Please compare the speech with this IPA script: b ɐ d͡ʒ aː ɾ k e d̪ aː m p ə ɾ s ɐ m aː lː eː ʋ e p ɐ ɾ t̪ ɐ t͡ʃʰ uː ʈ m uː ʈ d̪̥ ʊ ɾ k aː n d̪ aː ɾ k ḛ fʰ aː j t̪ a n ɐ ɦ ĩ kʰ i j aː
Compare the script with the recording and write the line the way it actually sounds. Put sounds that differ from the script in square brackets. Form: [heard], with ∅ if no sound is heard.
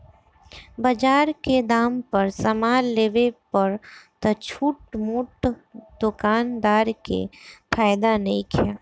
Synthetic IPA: b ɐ d͡ʒ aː ɾ k e d̪ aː m p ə ɾ s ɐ m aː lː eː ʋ e p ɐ ɾ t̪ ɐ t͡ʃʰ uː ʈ m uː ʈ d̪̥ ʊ [∅] k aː n d̪ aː ɾ k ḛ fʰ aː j [d̪] a n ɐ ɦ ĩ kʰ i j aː